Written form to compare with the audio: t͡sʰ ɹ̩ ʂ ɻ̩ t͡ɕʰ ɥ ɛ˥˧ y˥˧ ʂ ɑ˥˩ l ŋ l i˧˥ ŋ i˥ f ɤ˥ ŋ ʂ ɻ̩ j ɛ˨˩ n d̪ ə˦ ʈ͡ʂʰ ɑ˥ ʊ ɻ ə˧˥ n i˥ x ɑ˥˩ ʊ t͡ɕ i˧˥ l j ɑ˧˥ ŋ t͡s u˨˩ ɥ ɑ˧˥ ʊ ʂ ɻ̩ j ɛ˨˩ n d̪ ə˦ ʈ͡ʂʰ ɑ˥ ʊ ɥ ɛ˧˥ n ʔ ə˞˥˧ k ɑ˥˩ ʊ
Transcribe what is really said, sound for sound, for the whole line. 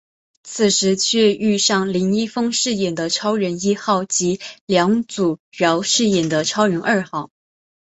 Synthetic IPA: t͡sʰ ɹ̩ ʂ ɻ̩ t͡ɕʰ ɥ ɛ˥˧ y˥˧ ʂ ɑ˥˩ ŋ l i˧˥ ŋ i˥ f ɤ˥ ŋ ʂ ɻ̩ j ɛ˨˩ n d̪ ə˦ ʈ͡ʂʰ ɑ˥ ʊ ɻ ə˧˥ n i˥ x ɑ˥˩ ʊ t͡ɕ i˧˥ l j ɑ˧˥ ŋ t͡s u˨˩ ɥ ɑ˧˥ ʊ ʂ ɻ̩ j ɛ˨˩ n d̪ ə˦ ʈ͡ʂʰ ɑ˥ ʊ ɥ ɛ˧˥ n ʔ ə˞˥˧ x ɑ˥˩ ʊ